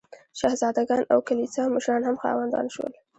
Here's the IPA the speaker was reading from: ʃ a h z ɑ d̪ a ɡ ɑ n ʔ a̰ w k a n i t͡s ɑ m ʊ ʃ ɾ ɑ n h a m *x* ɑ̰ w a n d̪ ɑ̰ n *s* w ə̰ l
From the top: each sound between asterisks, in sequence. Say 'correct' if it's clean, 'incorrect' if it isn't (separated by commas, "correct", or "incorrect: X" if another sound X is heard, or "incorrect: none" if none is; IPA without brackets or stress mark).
correct, incorrect: ʃ